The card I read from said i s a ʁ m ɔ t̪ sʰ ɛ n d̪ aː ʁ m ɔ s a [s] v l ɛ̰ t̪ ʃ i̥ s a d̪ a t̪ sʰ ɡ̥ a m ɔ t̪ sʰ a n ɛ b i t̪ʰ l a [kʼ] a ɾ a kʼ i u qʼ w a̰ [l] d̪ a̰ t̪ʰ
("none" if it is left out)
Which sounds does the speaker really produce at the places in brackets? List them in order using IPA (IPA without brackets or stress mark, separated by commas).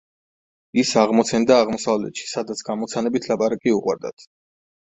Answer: none, pʼ, ɾ